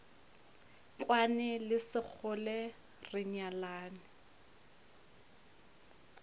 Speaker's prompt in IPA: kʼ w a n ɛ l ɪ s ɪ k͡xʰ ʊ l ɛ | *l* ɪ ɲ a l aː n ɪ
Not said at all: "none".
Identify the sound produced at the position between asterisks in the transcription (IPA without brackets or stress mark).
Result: r